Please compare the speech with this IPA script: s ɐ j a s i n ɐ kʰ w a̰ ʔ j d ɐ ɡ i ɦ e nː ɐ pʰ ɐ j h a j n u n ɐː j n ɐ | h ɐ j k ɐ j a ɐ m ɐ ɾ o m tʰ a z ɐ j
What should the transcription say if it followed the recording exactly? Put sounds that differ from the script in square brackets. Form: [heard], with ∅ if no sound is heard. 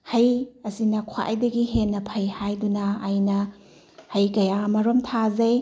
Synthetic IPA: [h] ɐ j [ɐ] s i n ɐ kʰ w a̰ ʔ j d ɐ ɡ i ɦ e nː ɐ pʰ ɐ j h a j [d] u n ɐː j n ɐ | h ɐ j k ɐ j a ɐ m ɐ ɾ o m tʰ a z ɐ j